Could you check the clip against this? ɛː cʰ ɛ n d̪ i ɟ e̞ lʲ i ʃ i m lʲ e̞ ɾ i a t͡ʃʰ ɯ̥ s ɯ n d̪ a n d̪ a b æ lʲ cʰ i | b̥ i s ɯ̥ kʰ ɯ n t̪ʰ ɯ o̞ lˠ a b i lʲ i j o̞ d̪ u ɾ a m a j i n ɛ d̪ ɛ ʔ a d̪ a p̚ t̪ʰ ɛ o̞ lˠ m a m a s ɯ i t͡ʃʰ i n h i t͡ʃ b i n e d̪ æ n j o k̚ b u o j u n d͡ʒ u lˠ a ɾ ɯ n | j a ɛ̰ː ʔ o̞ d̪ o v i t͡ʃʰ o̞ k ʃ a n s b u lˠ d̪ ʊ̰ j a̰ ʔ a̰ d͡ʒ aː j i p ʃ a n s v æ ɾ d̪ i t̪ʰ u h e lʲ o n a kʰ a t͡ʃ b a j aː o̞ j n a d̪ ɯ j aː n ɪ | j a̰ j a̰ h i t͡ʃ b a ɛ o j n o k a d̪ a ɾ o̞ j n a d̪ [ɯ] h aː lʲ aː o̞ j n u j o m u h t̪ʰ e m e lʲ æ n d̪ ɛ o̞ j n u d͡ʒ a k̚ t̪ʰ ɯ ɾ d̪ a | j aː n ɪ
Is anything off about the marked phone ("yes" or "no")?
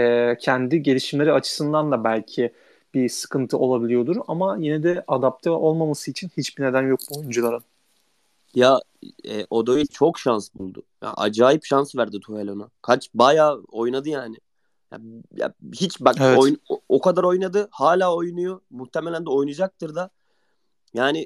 no